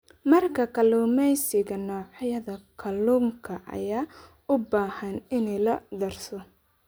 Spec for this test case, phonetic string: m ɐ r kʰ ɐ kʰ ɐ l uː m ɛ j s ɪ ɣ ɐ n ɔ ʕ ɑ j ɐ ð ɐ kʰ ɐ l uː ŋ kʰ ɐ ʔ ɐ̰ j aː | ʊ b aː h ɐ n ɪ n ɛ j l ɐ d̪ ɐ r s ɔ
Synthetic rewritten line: m ɐ r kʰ ɐ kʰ ɐ l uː m ɛ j s ɪ ɣ ɐ n ɔː ʕ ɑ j ɐ ð ɐ kʰ ɐ l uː ŋ kʰ ɐ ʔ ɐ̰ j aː | ʊ b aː h ɐ n ɪ n ɛ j l ɐ d̪ ɐ r s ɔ